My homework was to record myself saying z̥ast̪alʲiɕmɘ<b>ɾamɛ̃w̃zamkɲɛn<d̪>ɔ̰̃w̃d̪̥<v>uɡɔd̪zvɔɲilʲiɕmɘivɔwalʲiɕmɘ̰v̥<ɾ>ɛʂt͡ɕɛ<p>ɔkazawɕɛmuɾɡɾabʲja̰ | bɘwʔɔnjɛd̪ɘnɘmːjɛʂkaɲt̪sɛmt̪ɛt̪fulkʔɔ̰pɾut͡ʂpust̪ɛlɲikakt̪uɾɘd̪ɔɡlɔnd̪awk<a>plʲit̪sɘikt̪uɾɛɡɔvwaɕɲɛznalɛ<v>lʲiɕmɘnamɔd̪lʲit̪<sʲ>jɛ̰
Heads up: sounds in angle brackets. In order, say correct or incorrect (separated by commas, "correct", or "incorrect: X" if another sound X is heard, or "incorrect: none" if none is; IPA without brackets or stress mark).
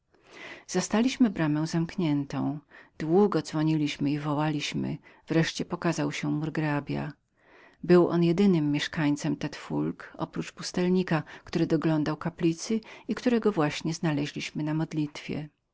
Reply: correct, incorrect: t̪, incorrect: w, correct, correct, correct, incorrect: ʑ, incorrect: fʲ